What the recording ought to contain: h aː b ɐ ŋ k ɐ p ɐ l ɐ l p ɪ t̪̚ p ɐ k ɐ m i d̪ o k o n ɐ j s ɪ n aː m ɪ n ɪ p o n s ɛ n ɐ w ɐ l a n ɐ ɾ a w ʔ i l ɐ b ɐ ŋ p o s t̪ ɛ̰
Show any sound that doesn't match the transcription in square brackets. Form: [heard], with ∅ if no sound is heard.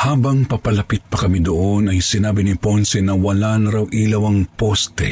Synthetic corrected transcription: h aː b ɐ ŋ [p] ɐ p ɐ l ɐ [∅] p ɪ t̪̚ p ɐ k ɐ m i d̪ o [ʔ] o n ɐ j s ɪ n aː [b] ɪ n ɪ p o n s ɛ n ɐ w ɐ l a n ɐ ɾ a w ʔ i l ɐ [w] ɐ ŋ p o s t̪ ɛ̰